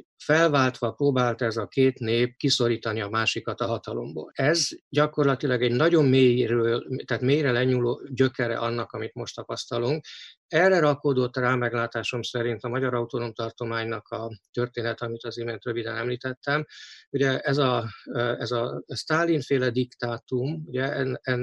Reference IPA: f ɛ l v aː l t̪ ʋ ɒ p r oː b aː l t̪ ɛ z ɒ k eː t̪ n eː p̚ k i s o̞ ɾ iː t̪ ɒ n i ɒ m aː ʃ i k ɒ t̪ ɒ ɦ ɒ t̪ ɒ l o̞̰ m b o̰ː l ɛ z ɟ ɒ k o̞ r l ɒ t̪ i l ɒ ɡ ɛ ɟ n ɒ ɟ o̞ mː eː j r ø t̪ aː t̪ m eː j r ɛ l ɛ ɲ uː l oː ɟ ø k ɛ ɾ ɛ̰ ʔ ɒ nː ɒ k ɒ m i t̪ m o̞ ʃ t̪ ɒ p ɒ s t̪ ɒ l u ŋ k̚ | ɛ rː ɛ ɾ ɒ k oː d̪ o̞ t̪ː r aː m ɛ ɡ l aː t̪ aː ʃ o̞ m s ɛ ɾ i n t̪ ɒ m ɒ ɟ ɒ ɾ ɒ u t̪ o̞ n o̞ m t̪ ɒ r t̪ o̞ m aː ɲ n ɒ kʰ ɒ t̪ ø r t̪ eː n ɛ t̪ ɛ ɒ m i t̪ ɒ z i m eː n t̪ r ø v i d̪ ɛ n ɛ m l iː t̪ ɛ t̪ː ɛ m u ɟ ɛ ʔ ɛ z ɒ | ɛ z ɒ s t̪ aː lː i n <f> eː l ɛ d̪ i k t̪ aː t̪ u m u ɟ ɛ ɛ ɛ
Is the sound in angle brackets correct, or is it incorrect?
correct